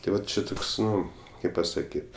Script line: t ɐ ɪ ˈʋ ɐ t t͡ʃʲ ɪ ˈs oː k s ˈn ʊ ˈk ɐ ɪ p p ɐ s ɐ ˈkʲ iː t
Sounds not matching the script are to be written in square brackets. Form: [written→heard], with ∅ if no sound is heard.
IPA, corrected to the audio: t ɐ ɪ ˈʋ ɐ t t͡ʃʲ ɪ [ˈs→ˈt] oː k s ˈn ʊ ˈk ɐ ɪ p p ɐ s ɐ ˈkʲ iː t